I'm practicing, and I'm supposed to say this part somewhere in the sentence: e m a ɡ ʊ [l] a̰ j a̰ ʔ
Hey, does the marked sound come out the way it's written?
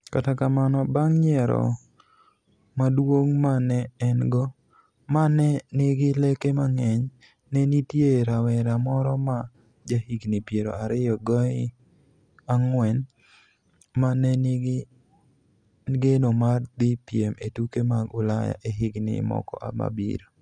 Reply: yes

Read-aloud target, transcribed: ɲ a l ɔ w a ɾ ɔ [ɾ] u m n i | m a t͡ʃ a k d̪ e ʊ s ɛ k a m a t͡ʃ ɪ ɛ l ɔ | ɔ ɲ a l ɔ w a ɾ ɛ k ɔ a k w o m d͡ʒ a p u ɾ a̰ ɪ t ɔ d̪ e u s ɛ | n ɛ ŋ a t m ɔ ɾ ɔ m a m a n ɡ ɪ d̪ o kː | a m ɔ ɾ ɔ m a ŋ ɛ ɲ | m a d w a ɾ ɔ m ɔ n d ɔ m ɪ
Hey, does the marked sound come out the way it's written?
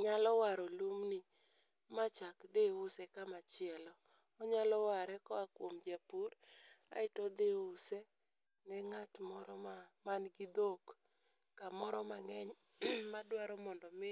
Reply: no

